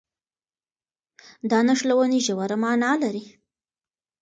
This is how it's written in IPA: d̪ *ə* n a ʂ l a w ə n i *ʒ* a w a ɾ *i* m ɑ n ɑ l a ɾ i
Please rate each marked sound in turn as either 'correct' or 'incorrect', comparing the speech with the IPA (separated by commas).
incorrect, correct, incorrect